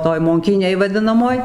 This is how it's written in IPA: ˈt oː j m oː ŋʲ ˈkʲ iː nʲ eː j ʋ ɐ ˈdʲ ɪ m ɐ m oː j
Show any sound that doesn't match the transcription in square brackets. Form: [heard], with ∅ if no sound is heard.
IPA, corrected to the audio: ˈt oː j m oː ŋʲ ˈkʲ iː nʲ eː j ʋ ɐ ˈdʲ ɪ [n] ɐ m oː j